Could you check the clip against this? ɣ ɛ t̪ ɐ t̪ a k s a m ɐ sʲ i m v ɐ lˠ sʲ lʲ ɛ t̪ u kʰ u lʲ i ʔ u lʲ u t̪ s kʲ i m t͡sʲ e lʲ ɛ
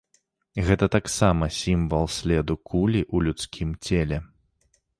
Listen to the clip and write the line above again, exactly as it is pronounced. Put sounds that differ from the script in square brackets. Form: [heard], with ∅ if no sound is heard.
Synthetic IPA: ɣ ɛ t̪ ɐ t̪ a k s a m ɐ sʲ i m v ɐ lˠ sʲ lʲ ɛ [d̪] u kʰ u lʲ i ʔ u lʲ u t̪ s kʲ i m t͡sʲ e lʲ ɛ